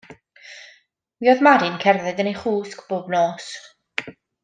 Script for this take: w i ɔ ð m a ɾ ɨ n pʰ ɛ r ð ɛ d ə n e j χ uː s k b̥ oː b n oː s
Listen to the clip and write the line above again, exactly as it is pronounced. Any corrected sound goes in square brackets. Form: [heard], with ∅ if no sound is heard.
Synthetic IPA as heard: w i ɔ ð m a ɾ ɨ n [kʰ] ɛ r ð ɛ d ə n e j χ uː s k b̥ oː b n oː s